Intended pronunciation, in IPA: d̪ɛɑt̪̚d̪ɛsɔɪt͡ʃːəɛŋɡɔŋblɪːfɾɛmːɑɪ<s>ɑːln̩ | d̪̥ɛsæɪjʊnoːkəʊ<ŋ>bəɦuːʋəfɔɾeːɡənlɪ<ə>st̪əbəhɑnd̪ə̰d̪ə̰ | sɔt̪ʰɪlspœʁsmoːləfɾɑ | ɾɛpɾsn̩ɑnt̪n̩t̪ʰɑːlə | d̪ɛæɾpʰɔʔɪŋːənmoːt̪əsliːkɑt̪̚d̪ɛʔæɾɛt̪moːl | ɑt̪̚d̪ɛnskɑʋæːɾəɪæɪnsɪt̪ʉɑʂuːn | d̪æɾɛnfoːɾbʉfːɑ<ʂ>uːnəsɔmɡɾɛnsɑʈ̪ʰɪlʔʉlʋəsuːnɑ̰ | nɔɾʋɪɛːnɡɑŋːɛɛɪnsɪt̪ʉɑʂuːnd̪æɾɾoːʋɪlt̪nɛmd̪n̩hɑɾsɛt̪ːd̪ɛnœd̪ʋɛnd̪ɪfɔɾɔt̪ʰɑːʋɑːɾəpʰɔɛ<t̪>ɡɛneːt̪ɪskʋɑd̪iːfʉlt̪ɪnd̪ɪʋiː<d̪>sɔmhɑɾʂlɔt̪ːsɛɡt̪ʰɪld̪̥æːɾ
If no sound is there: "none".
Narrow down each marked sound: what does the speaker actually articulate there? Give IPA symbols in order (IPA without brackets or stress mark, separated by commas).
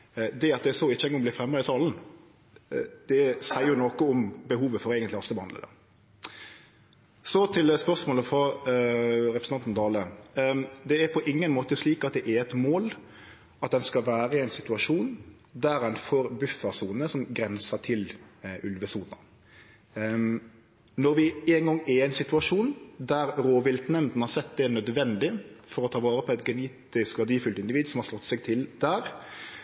s, m, ɑ, s, t̪, d̪